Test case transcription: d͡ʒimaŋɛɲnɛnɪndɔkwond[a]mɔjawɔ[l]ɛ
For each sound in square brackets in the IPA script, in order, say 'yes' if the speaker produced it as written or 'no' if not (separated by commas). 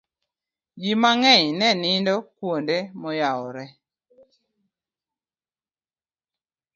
no, no